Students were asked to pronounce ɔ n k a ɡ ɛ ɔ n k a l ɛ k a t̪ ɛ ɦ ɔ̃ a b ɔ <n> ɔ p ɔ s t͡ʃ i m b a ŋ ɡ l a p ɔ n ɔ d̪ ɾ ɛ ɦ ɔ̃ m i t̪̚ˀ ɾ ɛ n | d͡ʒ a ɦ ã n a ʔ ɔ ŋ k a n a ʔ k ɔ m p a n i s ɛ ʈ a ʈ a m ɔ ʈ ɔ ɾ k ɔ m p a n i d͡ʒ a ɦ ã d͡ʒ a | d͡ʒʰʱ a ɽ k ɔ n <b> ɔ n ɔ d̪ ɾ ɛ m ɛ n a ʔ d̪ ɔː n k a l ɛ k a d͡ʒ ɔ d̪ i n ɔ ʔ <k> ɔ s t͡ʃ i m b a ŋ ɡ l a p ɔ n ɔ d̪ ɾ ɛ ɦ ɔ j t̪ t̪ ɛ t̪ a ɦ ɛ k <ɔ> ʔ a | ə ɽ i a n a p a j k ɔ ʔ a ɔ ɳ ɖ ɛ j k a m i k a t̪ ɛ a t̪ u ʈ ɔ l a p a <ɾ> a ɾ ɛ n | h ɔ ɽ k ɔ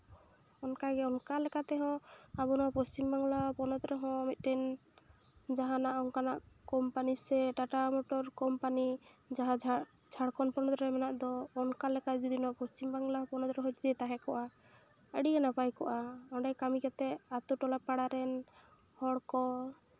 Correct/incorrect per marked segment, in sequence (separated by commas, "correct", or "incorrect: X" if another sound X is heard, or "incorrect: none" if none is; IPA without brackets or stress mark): correct, incorrect: p, incorrect: p, correct, incorrect: ɽ